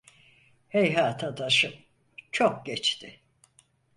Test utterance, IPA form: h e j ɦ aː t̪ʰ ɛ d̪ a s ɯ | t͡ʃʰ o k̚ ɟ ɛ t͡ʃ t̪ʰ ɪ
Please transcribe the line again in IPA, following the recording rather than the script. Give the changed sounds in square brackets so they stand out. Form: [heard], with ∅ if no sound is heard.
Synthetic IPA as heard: h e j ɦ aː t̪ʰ [a] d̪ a [ʃ] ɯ | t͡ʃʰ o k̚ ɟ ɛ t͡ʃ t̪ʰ ɪ